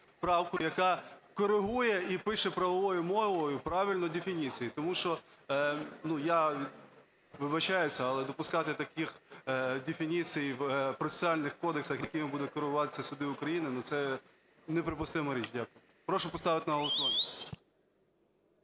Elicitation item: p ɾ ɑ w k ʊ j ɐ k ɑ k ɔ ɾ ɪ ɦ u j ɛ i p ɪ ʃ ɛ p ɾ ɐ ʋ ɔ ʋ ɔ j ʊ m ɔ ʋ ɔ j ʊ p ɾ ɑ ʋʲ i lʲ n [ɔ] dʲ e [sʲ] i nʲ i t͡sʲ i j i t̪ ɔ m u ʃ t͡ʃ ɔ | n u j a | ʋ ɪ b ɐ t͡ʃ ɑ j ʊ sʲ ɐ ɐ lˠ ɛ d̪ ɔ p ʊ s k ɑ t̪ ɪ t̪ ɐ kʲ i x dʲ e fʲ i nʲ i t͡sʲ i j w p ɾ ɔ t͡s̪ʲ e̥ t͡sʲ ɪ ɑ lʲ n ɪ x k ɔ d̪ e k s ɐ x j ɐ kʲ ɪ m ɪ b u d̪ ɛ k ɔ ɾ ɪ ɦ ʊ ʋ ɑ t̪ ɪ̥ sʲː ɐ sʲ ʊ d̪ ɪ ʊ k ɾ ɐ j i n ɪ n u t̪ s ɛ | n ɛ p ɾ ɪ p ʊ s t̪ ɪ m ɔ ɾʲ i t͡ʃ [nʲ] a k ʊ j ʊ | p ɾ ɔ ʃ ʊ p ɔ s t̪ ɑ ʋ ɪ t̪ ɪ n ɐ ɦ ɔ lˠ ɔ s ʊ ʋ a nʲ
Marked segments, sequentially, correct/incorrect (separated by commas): correct, incorrect, incorrect